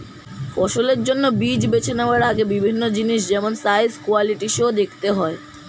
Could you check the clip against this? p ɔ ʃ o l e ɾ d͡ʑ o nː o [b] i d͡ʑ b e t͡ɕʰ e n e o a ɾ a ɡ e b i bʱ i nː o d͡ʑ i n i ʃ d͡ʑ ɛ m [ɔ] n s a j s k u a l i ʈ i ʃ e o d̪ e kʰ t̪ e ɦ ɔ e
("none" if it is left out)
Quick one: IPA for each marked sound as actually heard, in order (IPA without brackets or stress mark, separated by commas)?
b, o